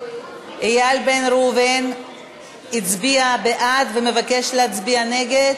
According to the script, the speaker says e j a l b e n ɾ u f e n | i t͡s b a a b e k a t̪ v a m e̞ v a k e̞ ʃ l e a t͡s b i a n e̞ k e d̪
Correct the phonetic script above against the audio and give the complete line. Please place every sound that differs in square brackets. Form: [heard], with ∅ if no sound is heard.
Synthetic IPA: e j a l b e n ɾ u [v] e n | i t͡s b [i] a b e [ʔ] a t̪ v [e] m e̞ v a k e̞ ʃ l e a t͡s b i a n e̞ [ɡ] e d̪